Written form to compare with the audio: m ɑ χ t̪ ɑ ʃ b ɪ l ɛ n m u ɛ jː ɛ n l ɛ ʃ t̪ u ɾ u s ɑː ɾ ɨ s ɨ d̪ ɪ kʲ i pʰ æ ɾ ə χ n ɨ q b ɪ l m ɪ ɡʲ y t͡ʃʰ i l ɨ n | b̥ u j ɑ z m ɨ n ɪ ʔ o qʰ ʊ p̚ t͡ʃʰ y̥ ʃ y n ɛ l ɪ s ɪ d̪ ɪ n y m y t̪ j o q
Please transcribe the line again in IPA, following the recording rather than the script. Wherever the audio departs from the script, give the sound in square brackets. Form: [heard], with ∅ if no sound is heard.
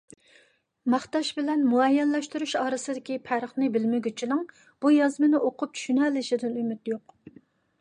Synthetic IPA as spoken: m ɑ χ t̪ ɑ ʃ b ɪ l ɛ n m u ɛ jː ɛ n l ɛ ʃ t̪ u ɾ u [ʃ] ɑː ɾ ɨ s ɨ d̪ ɪ kʲ i pʰ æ ɾ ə χ n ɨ [∅] b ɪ l m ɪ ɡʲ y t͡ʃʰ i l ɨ [ŋ] | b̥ u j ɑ z m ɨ n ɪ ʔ o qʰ ʊ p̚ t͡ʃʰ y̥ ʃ y n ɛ l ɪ [ʃ] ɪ d̪ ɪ n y m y t̪ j o q

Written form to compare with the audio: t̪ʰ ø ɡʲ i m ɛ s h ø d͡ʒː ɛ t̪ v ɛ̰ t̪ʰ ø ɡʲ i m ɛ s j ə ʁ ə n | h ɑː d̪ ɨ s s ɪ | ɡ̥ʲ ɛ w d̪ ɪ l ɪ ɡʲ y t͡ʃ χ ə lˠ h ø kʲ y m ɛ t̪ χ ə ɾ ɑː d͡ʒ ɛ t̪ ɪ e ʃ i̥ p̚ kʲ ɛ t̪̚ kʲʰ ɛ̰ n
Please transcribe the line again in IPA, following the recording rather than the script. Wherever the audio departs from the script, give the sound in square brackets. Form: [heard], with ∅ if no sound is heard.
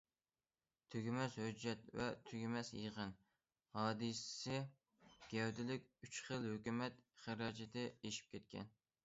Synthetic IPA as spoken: t̪ʰ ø ɡʲ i m ɛ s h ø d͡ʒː ɛ t̪ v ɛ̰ t̪ʰ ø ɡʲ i m ɛ s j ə ʁ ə n | h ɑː d̪ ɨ s s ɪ | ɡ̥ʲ ɛ w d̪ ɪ l ɪ [kʲ] y t͡ʃ χ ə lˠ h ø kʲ y m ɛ t̪ χ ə ɾ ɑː d͡ʒ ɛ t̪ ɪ e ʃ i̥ p̚ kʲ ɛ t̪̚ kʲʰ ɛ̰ n

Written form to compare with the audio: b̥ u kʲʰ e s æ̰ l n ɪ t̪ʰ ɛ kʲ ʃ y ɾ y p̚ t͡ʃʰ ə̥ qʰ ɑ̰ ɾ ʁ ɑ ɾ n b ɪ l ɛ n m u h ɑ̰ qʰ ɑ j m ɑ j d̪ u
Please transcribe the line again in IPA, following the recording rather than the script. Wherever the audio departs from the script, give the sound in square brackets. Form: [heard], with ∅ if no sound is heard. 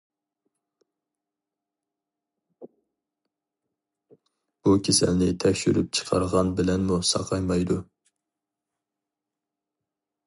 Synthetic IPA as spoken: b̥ u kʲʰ e s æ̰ l n ɪ t̪ʰ ɛ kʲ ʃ y ɾ y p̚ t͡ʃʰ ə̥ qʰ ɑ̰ ɾ ʁ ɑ [∅] n b ɪ l ɛ n m u [s] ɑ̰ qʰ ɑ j m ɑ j d̪ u

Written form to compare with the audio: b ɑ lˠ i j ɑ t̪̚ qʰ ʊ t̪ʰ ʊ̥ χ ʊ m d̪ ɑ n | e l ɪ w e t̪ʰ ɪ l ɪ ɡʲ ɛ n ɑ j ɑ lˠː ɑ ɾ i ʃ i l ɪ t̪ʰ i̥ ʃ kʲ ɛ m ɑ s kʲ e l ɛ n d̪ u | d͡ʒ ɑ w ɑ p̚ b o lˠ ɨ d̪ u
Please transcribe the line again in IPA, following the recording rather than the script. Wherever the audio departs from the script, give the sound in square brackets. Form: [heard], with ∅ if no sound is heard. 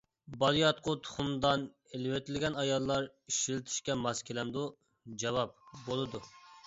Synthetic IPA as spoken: b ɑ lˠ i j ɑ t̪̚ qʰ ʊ t̪ʰ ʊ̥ χ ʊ m d̪ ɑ n | e l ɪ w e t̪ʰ ɪ l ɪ ɡʲ ɛ n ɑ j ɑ lˠː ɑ ɾ i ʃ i l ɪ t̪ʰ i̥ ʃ kʲ ɛ m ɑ s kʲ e l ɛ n d̪ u | d͡ʒ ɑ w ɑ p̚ b o lˠ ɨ d̪ u

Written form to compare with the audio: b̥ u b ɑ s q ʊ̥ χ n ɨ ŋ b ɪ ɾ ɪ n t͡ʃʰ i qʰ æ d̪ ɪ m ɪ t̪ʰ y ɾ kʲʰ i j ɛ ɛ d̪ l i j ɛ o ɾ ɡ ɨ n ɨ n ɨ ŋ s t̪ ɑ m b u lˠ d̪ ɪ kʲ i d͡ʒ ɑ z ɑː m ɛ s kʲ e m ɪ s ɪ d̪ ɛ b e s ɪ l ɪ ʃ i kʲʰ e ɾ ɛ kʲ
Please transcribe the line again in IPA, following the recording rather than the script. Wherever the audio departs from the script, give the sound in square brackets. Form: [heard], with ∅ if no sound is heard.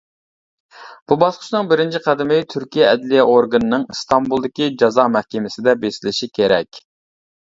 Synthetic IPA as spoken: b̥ u b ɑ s q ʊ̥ [ʃ] n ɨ ŋ b ɪ ɾ ɪ n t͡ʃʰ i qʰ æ d̪ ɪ m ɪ t̪ʰ y ɾ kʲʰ i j ɛ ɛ d̪ l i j ɛ o ɾ ɡ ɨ n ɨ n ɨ ŋ s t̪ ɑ m b u lˠ d̪ ɪ kʲ i d͡ʒ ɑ z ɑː m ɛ [h] kʲ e m ɪ s ɪ d̪ ɛ b e s ɪ l ɪ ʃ i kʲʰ e ɾ ɛ kʲ

